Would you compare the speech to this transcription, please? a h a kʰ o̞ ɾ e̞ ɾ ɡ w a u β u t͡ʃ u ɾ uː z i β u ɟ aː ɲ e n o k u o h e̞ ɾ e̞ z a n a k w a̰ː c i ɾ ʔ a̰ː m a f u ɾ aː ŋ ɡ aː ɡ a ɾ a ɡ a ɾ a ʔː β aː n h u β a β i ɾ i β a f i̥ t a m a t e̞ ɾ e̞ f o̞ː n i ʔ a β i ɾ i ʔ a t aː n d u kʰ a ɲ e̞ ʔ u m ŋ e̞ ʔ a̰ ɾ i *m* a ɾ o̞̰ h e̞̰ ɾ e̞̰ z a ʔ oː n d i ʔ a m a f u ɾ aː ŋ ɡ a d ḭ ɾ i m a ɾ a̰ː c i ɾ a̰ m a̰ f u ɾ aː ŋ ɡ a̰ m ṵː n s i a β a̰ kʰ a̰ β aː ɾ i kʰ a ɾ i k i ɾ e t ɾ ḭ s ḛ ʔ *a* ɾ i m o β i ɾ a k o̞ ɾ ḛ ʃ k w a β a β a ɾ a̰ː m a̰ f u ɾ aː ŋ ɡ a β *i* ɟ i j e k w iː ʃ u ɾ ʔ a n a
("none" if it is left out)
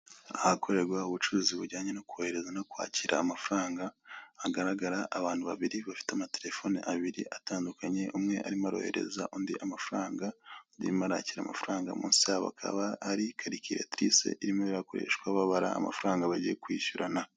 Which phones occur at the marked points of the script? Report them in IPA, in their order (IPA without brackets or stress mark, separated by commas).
m, i, a